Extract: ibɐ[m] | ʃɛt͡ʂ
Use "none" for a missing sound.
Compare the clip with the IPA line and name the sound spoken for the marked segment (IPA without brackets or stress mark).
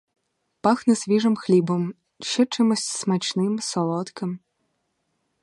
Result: m